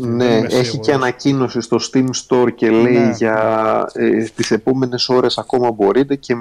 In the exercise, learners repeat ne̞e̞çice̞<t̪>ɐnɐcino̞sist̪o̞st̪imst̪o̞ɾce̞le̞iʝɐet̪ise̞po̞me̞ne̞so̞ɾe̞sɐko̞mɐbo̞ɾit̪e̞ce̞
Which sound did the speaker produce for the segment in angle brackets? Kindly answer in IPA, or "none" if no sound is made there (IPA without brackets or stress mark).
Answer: none